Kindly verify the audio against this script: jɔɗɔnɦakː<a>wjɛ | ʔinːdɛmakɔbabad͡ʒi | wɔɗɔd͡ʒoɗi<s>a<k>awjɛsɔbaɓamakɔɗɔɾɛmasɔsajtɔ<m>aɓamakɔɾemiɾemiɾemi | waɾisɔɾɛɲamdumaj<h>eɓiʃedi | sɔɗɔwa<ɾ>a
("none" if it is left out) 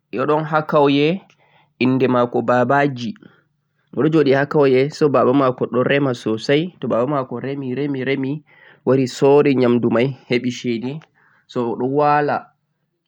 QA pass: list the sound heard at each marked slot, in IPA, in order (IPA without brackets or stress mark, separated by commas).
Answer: a, h, k, b, h, l